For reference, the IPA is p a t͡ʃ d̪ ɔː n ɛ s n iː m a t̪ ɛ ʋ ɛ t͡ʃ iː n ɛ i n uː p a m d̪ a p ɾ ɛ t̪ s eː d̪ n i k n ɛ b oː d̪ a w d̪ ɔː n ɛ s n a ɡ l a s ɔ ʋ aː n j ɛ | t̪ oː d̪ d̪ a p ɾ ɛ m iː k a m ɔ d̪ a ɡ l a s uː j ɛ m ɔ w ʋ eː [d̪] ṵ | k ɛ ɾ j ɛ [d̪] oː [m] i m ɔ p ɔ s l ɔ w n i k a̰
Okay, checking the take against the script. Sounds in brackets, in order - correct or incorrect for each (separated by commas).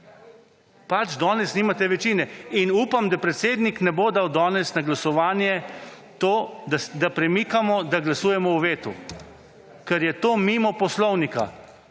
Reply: incorrect, incorrect, correct